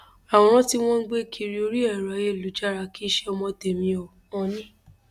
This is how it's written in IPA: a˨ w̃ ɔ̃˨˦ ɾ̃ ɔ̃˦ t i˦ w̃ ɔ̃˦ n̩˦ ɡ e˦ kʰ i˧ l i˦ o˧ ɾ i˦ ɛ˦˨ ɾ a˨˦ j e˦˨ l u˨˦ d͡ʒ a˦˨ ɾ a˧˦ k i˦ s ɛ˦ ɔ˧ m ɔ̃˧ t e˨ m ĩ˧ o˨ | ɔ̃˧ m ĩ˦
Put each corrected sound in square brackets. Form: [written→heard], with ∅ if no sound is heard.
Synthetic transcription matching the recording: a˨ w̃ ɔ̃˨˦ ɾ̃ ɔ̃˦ t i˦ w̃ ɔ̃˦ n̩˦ [ɡ→ɡ͡b] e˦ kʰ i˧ [l→ɾ] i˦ o˧ ɾ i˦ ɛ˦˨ ɾ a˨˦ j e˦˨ l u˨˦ d͡ʒ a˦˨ ɾ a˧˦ k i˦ [s→ʃ] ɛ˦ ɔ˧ m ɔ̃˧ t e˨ m ĩ˧ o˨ | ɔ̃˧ [m→n] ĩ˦